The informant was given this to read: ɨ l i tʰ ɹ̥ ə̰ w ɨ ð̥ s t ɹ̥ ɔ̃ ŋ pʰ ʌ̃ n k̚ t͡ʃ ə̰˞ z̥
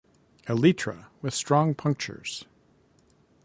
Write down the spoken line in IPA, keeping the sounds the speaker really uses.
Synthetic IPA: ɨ l i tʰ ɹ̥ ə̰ w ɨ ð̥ s t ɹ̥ ɔ̃ ŋ pʰ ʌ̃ ŋ k̚ t͡ʃ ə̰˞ z̥